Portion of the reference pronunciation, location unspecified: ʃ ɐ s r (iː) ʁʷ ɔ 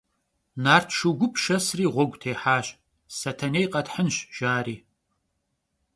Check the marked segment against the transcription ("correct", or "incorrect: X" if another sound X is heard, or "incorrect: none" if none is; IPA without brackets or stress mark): correct